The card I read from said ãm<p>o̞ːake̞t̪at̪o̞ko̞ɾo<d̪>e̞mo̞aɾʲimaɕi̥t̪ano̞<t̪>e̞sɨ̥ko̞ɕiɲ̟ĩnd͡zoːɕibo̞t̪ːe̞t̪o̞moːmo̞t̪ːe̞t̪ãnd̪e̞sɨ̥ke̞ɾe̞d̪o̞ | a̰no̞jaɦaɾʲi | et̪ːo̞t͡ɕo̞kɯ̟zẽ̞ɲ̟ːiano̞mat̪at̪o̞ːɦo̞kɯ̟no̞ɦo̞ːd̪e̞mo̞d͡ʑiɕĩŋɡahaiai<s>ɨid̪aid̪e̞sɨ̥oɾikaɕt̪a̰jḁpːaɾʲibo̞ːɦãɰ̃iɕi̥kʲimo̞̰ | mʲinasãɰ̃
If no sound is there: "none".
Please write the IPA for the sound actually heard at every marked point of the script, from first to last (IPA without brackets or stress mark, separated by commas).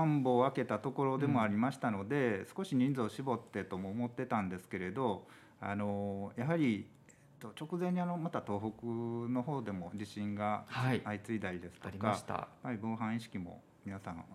b, d̪, d̪, t͡s